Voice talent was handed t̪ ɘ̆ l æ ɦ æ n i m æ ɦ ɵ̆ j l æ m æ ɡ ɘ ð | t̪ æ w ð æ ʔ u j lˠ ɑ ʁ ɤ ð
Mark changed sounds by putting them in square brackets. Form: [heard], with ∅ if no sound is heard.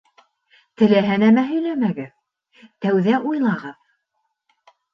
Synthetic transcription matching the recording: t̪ ɘ̆ l æ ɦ æ n [æ] m æ ɦ ɵ̆ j l æ m æ ɡ ɘ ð | t̪ æ w ð æ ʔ u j lˠ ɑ ʁ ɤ ð